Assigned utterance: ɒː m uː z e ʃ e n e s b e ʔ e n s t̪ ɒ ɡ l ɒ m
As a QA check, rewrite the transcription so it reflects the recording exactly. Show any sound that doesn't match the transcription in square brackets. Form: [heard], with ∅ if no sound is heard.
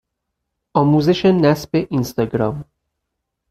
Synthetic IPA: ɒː m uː z e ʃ e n [æ] s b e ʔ [i] n s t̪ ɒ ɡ [ɾ] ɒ m

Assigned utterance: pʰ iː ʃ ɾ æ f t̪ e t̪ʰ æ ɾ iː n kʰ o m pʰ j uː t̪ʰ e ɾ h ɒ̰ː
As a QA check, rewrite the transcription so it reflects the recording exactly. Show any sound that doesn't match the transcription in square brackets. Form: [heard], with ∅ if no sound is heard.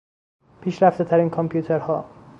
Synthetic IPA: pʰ iː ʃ ɾ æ f t̪ e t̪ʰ æ ɾ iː n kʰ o m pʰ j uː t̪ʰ e ɾ h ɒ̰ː

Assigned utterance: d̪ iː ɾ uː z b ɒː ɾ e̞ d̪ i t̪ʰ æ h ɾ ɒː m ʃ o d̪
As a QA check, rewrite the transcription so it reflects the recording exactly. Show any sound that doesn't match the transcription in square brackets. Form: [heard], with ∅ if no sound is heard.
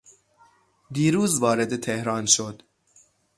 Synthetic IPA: d̪ iː ɾ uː z [v] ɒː ɾ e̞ d̪ [e] t̪ʰ [e] h ɾ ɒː [n] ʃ o d̪

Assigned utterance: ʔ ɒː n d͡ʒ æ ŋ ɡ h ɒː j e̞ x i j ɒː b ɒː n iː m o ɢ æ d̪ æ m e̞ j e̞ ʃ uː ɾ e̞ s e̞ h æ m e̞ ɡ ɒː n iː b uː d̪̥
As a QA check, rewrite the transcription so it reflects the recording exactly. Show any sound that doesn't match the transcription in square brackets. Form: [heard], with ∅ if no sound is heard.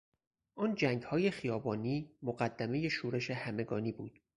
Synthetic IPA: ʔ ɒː n d͡ʒ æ ŋ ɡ h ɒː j e̞ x i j ɒː b ɒː n iː m o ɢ æ [d̪ː] æ m e̞ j e̞ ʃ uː ɾ e̞ [ʃ] e̞ h æ m e̞ ɡ ɒː n iː b uː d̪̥

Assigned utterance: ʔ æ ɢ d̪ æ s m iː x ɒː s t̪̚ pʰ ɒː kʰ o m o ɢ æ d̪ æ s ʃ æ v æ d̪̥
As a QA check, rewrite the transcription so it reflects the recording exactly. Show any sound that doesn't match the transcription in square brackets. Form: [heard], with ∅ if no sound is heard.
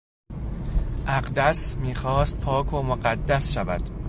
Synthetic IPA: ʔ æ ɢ d̪ æ s m iː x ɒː s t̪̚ pʰ ɒː kʰ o m o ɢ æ [d̪ː] æ s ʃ æ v æ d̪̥

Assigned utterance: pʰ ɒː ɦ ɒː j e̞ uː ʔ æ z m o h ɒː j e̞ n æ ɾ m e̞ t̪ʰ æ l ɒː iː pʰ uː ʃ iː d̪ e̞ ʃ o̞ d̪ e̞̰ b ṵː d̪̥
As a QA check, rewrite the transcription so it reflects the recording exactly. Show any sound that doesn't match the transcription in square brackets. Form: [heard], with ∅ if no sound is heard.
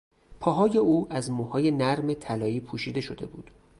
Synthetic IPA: pʰ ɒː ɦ ɒː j e̞ uː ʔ æ z m [u] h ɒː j e̞ n æ ɾ m e̞ t̪ʰ æ l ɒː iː pʰ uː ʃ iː d̪ e̞ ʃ o̞ d̪ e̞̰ b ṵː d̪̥

